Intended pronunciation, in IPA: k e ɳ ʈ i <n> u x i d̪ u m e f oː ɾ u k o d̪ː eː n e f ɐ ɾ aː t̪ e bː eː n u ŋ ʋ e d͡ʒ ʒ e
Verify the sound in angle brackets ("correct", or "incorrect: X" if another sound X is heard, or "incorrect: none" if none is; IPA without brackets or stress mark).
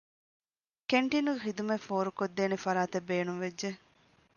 correct